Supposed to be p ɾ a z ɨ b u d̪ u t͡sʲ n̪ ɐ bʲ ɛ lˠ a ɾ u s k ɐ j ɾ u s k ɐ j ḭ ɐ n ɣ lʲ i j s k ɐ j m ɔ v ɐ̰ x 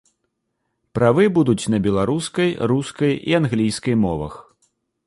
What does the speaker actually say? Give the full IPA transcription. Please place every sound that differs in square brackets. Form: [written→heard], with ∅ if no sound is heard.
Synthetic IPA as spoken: p ɾ a [z→v] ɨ b u d̪ u t͡sʲ n̪ ɐ bʲ ɛ lˠ a ɾ u s k ɐ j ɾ u s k ɐ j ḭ [ɐ→a] n ɣ lʲ i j s k ɐ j m ɔ v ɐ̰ x